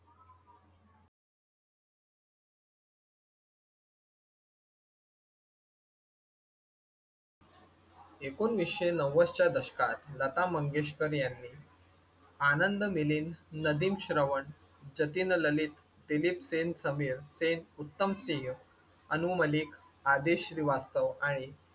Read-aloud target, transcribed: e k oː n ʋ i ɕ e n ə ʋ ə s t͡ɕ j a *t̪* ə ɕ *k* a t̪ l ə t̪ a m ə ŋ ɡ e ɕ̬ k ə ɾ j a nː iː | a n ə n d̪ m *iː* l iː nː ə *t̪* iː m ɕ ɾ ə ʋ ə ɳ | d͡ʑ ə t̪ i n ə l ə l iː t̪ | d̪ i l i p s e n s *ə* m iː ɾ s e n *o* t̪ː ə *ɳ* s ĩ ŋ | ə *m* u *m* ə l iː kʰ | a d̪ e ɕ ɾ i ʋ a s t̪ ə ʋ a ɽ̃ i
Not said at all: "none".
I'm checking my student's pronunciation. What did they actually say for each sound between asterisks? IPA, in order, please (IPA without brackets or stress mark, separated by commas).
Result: d̪, k, i, d̪, ə, u, m, n, m